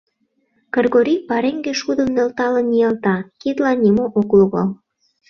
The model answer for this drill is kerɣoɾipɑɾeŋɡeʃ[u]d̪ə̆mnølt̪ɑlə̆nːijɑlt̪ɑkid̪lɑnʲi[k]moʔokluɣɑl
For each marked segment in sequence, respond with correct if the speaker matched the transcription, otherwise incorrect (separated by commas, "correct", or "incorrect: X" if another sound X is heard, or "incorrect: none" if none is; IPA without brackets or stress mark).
correct, incorrect: none